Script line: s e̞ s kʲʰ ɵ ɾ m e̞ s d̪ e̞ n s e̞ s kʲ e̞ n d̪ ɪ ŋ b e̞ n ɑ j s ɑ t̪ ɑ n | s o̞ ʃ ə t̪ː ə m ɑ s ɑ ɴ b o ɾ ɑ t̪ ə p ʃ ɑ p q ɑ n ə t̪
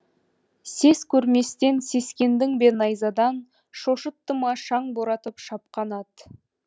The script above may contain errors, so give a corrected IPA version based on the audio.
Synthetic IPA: s e̞ s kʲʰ ɵ ɾ m e̞ s t̪ e̞ n s e̞ s kʲ e̞ n d̪ ɪ ŋ b e̞ n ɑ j z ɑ d̪ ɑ n | ʃ o̞ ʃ ə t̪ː ə m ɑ ʃ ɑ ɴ b o ɾ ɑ t̪ ə p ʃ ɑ p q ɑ n ɑ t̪